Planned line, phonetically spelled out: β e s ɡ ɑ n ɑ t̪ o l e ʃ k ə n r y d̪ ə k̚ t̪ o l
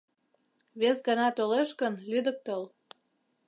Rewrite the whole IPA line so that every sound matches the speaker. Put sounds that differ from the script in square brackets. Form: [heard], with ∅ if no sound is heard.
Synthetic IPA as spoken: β e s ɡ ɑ n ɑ t̪ o l e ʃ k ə n [l] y d̪ ə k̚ t̪ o l